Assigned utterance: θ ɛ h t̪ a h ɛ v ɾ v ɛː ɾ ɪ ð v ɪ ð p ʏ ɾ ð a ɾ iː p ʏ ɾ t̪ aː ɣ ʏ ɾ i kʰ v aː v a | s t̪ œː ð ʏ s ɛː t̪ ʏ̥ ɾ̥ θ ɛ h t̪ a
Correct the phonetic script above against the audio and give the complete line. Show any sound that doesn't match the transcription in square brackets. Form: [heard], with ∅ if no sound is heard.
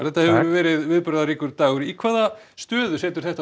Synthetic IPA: θ ɛ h t̪ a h ɛ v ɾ v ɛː ɾ ɪ ð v ɪ ð p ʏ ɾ ð a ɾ iː [k] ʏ ɾ t̪ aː ɣ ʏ ɾ i kʰ v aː [ð] a | s t̪ œː ð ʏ s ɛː t̪ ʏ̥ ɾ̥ θ ɛ h t̪ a